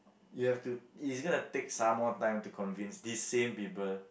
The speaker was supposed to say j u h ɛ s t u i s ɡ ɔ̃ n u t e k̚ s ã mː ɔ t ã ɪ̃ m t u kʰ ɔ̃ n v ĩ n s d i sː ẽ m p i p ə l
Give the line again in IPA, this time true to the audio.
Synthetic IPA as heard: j u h ɛ f t u i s ɡ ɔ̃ n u t e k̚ s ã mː ɔ t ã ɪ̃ m t u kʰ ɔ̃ n v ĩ n s d i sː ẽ m p i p ə l